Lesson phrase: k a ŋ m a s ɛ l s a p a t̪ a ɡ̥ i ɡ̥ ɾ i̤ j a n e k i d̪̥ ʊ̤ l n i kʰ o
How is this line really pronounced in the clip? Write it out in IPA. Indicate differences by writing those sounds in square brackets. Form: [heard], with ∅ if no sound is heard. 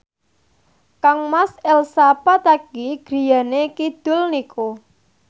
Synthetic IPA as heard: k a ŋ m a s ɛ l s a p a t̪ a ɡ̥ i ɡ̥ ɾ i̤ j a n e k i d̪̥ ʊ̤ l n i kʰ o